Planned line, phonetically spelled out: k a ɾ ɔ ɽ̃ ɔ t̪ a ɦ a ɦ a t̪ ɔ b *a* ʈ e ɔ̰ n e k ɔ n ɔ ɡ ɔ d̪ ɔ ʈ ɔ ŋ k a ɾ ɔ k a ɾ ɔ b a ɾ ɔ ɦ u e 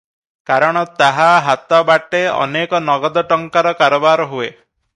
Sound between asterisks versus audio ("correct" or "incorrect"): correct